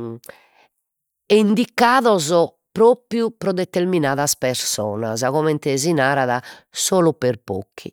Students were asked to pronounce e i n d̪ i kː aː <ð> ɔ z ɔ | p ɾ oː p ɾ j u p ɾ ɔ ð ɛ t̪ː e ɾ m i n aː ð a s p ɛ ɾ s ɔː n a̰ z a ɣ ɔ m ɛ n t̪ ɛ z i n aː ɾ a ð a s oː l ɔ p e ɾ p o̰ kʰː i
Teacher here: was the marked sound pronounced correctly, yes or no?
yes